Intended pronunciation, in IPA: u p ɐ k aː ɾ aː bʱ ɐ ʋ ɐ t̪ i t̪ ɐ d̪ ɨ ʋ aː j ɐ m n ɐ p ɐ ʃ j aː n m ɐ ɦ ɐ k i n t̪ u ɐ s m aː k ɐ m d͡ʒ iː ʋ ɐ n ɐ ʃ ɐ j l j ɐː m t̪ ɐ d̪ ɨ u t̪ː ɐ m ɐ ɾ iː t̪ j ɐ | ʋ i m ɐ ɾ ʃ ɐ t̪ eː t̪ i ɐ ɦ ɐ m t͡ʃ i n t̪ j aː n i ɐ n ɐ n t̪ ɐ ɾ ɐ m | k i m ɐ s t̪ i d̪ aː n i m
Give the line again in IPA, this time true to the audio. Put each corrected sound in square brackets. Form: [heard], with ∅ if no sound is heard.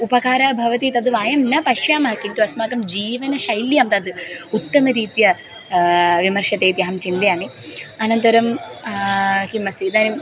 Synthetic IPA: u p ɐ k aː ɾ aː bʱ ɐ ʋ ɐ t̪ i t̪ ɐ d̪ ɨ ʋ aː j ɐ m n ɐ p ɐ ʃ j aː [∅] m ɐ ɦ ɐ k i n t̪ u ɐ s m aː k ɐ m d͡ʒ iː ʋ ɐ n ɐ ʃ ɐ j l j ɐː m t̪ ɐ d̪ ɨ u t̪ː ɐ m ɐ ɾ iː t̪ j ɐ | ʋ i m ɐ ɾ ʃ ɐ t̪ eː t̪ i ɐ ɦ ɐ m t͡ʃ i n [d̪] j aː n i ɐ n ɐ n t̪ ɐ ɾ ɐ m | k i m ɐ s t̪ i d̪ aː n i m